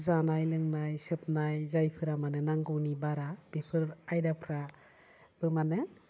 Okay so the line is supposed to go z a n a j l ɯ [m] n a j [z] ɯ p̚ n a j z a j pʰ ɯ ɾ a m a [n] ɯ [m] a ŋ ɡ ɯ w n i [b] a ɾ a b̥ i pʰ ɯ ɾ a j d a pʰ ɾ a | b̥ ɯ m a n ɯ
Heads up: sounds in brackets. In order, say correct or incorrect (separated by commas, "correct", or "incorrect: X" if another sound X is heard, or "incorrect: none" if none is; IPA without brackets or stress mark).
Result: incorrect: ŋ, incorrect: s, correct, incorrect: n, correct